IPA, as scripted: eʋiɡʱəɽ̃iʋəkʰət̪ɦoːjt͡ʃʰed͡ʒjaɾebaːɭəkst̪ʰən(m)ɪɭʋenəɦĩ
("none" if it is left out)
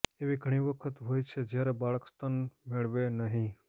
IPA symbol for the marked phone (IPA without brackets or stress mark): m